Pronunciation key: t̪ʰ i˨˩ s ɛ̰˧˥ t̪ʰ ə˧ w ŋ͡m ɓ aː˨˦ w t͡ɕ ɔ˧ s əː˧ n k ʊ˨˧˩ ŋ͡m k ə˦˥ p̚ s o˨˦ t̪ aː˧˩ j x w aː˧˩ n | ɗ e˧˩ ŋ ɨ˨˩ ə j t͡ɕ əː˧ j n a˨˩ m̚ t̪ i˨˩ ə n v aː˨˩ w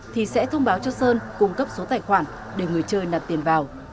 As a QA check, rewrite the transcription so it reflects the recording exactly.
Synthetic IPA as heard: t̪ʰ i˨˩ s ɛ̰˧˥ t̪ʰ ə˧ w ŋ͡m ɓ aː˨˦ w t͡ɕ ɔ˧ s əː˧ n k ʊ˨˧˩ ŋ͡m k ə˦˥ p̚ s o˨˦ t̪ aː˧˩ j x w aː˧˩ n | ɗ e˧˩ ŋ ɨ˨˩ ə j t͡ɕ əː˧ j n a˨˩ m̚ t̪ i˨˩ ə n v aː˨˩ w